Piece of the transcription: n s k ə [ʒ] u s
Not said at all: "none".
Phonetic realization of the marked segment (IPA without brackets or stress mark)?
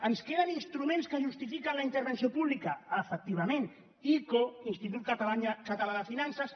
ʒ